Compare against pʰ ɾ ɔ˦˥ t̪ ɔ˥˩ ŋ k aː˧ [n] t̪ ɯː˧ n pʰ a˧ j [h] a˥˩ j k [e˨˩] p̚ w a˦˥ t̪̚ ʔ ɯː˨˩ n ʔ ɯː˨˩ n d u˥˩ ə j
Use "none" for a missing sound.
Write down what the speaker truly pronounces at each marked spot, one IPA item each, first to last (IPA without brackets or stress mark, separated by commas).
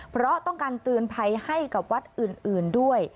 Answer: n, h, a˨˩